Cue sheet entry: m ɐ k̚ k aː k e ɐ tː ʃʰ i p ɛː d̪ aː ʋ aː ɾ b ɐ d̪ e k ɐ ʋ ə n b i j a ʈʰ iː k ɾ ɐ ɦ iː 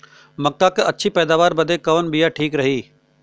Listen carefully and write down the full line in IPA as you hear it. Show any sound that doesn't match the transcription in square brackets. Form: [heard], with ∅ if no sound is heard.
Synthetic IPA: m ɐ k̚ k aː k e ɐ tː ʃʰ i p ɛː d̪ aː ʋ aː ɾ b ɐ d̪ e k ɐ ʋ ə n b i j a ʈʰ iː k ɾ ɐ ɦ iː